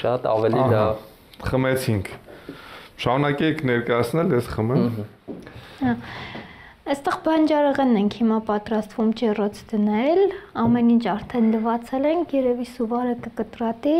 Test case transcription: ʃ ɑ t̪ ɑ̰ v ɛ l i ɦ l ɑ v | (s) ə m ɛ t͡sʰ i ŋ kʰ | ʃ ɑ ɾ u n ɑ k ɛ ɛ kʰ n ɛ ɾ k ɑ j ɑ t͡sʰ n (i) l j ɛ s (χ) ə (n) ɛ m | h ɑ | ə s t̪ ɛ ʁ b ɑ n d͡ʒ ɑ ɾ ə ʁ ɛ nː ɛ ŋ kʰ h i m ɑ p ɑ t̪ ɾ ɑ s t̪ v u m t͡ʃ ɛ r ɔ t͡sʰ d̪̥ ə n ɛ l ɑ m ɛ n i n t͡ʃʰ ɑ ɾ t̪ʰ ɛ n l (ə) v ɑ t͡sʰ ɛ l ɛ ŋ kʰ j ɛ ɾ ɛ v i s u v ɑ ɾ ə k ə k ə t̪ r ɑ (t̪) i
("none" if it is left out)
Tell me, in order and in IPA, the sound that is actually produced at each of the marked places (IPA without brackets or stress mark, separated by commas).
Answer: χ, ɛ, χ, m, ə, t̪